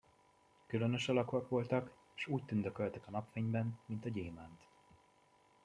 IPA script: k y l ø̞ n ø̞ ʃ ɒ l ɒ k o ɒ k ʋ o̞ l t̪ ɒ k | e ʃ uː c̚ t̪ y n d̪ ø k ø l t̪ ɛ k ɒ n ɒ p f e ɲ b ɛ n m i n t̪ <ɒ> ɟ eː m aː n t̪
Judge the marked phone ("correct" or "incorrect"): correct